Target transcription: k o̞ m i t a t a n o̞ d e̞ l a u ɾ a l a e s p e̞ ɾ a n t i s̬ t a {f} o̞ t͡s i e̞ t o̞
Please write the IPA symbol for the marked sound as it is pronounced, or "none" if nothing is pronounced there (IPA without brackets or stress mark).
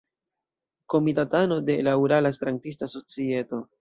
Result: s